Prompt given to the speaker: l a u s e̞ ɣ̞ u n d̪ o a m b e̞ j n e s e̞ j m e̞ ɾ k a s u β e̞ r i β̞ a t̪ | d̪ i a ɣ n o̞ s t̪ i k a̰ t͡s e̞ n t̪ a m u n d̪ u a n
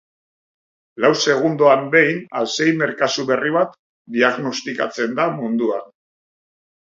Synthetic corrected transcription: l a w s e̞ ɣ̞ u n d̪ o a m b e̞ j n a s e̞ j m e̞ ɾ k a s u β e̞ r i β̞ a t̪ | d̪ i a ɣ n o̞ s t̪ i k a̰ t͡s e̞ n d̪ a m u n d̪ u a n